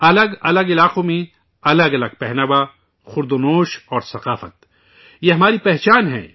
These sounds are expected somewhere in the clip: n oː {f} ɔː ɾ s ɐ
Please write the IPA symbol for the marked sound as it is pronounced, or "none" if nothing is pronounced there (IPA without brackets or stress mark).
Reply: ʃ